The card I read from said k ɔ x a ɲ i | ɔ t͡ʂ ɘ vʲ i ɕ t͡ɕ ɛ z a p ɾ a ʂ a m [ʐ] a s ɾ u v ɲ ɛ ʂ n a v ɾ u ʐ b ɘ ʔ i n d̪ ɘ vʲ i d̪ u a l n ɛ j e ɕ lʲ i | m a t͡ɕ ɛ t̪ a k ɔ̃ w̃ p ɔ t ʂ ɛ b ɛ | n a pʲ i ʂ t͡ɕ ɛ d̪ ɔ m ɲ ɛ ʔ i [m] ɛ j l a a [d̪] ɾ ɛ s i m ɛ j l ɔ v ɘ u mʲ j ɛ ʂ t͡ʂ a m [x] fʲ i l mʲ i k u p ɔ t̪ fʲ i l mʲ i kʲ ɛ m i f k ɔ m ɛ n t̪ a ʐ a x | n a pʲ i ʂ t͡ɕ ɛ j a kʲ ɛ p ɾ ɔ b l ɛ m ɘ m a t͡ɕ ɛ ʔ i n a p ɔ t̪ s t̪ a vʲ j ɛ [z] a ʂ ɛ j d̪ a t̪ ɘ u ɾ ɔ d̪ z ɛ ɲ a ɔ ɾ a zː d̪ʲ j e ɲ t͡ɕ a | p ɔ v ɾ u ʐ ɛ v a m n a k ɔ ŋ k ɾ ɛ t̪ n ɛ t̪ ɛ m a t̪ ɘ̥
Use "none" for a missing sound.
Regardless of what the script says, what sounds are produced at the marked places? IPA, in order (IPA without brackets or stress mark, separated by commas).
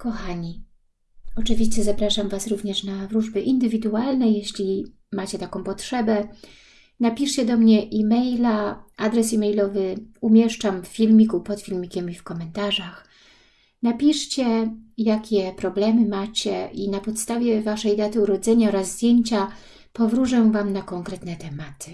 v, m, d̪, f, v